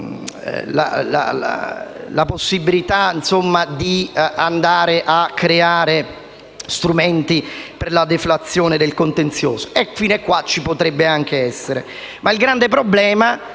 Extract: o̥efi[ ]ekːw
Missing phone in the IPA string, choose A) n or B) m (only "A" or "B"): A